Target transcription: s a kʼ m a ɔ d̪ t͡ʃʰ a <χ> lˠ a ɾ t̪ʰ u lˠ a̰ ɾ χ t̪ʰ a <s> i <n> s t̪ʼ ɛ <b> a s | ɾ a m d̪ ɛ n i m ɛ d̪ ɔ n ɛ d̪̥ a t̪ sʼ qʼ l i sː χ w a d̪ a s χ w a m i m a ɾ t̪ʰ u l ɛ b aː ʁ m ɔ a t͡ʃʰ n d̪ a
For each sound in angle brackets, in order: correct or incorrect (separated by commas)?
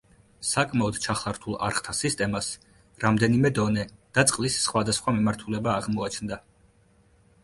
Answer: correct, correct, incorrect, incorrect